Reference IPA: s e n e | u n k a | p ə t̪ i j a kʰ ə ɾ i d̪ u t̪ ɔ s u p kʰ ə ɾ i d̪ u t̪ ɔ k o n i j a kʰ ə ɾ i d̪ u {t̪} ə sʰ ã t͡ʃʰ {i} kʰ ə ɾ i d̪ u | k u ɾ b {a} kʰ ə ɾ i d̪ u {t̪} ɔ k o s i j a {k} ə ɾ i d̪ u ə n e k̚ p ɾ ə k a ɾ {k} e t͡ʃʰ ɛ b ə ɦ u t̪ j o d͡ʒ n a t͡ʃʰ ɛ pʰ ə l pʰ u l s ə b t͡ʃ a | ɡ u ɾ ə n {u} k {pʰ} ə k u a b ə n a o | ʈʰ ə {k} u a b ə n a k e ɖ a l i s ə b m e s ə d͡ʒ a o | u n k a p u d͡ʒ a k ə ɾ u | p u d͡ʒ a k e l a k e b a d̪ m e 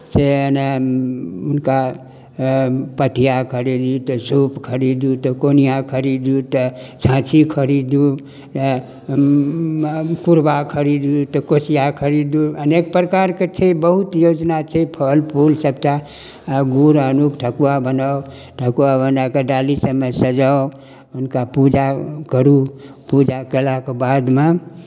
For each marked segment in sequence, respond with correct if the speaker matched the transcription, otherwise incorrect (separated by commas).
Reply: correct, correct, correct, correct, incorrect, correct, correct, incorrect, correct